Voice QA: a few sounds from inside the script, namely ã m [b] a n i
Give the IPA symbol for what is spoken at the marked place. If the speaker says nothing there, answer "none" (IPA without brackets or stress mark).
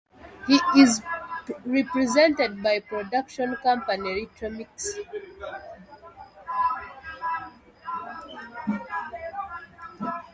p